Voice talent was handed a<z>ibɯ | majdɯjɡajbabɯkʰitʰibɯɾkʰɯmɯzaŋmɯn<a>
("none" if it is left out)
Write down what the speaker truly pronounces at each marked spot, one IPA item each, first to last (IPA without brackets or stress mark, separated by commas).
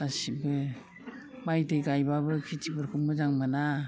s, a